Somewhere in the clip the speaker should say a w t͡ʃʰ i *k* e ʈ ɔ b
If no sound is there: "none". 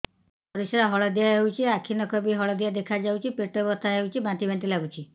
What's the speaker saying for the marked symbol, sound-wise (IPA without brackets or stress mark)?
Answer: p